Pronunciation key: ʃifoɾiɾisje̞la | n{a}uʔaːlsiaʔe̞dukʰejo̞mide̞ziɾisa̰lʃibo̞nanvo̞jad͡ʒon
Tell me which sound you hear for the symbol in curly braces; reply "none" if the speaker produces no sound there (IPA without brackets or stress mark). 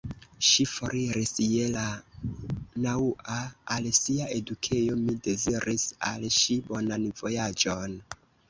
a